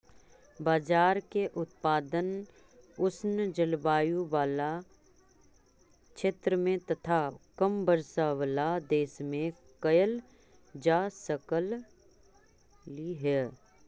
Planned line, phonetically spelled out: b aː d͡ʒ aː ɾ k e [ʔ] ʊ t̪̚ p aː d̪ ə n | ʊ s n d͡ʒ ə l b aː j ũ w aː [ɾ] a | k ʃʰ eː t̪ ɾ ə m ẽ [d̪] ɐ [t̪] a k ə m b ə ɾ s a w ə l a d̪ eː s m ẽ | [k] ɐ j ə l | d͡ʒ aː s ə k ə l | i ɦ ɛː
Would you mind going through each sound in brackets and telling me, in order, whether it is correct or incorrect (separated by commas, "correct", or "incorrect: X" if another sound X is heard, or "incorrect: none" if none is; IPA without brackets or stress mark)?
correct, incorrect: l, incorrect: t̪, incorrect: t̪ʰ, correct